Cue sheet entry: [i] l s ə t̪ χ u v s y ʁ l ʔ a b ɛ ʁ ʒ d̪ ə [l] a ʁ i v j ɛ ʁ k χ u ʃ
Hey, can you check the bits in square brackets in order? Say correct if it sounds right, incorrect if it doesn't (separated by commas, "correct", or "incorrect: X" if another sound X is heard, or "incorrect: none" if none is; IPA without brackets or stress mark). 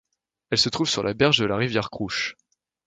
incorrect: ɛ, correct